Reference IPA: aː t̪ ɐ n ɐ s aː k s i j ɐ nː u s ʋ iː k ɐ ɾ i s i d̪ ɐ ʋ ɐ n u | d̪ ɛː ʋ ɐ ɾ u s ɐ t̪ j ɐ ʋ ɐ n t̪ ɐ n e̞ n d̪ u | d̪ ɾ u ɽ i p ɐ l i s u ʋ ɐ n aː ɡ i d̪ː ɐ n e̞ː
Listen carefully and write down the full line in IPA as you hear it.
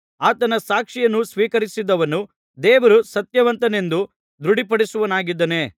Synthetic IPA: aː t̪ ɐ n ɐ s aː k ʂ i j ɐ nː u s ʋ iː k ɐ ɾ i s i d̪ ɐ ʋ ɐ n u | d̪ ɛː ʋ ɐ ɾ u s ɐ t̪ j ɐ ʋ ɐ n t̪ ɐ n e̞ n d̪ u | d̪ ɾ u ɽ i p ɐ ɽ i s u ʋ ɐ n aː ɡ i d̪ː ɐ n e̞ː

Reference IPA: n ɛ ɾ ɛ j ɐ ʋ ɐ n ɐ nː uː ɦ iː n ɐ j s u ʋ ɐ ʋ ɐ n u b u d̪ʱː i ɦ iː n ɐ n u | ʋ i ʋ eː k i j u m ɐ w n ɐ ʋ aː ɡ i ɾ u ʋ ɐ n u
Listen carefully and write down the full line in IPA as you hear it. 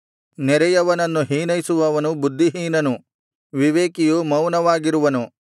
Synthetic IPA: n ɛ ɾ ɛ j ɐ ʋ ɐ n ɐ nː u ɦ iː n ɐ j s u ʋ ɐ ʋ ɐ n u b u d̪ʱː i ɦ iː n ɐ n u | ʋ i ʋ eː k i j u m ɐ w n ɐ ʋ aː ɡ i ɾ u ʋ ɐ n u

